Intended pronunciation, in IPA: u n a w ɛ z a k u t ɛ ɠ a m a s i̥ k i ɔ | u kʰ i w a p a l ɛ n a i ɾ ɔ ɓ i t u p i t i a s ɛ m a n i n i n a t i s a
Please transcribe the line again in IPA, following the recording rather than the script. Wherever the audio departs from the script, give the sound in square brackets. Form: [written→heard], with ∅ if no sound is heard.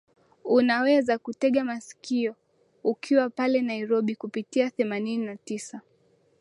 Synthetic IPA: u n a w ɛ z a k u t ɛ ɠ a m a s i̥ k i ɔ | u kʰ i w a p a l ɛ n a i ɾ ɔ ɓ i [t→k] u p i t i a [s→θ] ɛ m a n i n i n a t i s a